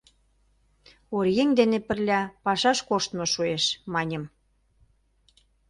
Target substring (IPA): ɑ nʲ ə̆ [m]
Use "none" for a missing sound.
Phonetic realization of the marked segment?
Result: m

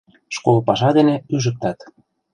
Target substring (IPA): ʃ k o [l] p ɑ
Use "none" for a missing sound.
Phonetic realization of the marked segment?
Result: l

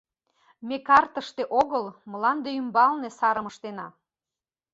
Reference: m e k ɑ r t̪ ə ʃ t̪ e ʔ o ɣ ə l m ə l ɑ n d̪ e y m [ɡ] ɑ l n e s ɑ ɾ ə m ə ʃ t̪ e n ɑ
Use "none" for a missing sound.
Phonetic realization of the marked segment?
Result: b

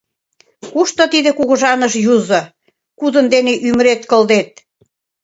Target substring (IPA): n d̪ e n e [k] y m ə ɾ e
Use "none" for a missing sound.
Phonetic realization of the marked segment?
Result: ʔ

